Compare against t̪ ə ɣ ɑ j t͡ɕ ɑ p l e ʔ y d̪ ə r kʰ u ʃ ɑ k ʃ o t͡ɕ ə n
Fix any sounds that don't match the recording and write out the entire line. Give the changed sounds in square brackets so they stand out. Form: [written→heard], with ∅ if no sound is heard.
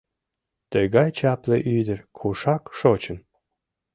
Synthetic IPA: t̪ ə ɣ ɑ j t͡ɕ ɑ p l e ʔ y d̪ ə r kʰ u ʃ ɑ k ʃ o t͡ɕ ə n